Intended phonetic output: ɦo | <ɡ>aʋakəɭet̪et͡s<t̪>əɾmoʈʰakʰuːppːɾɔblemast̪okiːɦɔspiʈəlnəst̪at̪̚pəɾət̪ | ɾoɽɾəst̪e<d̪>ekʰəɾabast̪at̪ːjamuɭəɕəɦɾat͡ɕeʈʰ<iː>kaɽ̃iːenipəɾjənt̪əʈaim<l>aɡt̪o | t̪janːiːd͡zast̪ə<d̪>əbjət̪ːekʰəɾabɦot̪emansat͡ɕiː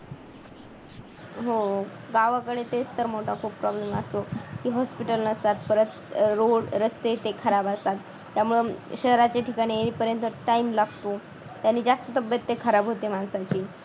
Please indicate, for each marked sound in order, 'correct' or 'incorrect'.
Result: correct, correct, incorrect, incorrect, correct, incorrect

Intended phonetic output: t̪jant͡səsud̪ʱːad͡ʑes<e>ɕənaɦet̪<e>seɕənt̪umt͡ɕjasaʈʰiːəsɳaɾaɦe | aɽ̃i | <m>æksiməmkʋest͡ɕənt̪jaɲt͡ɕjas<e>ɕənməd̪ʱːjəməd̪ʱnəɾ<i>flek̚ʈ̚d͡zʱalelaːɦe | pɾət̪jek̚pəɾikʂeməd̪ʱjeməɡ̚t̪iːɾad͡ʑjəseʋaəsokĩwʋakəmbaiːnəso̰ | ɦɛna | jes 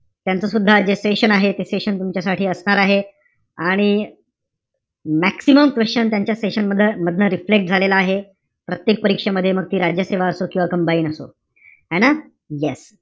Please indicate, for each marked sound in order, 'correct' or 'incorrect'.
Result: correct, correct, correct, correct, correct

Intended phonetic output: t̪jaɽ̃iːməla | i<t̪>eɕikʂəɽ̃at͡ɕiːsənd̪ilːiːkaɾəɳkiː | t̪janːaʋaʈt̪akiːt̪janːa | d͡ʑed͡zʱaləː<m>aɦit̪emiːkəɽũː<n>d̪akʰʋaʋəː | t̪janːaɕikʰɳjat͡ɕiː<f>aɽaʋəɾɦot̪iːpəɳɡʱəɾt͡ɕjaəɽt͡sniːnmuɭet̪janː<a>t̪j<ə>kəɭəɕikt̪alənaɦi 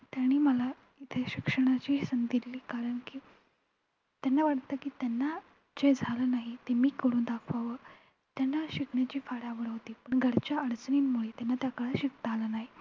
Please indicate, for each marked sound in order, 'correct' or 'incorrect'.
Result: incorrect, incorrect, correct, correct, correct, incorrect

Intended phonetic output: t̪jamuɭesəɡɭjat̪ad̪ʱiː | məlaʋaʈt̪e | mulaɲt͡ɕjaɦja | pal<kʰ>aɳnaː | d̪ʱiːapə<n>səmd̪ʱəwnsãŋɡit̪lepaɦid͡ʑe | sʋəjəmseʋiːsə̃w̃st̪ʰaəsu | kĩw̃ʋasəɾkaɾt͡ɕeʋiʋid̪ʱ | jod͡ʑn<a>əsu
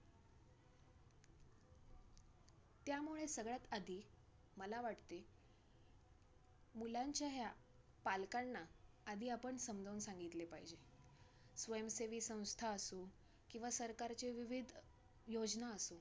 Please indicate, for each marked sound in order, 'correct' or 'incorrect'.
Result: incorrect, incorrect, correct

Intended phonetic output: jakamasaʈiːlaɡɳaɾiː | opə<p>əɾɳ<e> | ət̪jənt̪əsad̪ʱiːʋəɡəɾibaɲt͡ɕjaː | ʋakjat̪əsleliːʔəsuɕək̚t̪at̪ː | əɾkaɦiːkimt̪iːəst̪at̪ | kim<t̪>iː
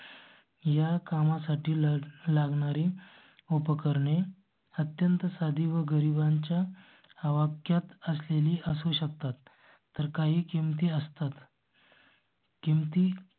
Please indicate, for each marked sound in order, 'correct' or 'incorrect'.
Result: incorrect, correct, correct

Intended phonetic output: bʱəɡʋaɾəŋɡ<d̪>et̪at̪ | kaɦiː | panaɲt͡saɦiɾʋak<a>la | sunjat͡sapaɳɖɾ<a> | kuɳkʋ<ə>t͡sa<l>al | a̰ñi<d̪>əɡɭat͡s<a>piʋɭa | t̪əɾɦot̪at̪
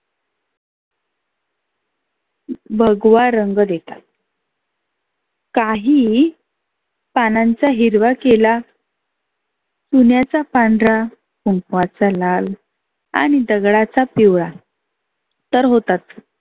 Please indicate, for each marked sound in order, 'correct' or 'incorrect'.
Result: correct, incorrect, correct, incorrect, correct, correct, correct

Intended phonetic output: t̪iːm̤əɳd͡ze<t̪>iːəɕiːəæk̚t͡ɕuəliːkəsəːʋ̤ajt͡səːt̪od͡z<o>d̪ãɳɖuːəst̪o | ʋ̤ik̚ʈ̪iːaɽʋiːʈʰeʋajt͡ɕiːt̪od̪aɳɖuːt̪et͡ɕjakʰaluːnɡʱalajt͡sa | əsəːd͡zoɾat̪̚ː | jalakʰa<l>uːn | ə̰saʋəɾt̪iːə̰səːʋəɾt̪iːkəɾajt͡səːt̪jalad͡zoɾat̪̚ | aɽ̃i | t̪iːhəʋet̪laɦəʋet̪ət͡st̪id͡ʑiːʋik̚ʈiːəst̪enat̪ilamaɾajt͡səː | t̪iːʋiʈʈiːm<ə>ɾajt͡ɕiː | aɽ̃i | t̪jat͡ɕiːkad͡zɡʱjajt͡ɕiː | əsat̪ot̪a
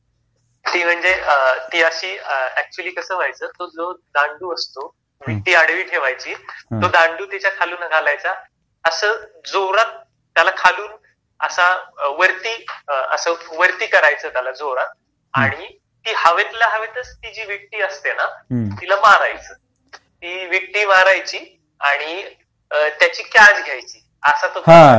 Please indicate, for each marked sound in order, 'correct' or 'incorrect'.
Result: correct, correct, correct, incorrect

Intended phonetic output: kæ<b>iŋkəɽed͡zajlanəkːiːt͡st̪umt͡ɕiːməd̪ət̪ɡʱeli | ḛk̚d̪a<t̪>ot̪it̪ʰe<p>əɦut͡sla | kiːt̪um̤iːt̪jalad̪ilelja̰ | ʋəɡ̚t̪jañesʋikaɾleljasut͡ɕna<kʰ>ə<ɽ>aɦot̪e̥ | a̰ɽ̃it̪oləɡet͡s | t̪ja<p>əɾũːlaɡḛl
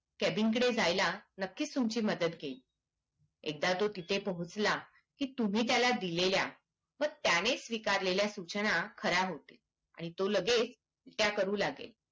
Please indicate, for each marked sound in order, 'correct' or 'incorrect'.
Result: correct, correct, correct, correct, incorrect, incorrect

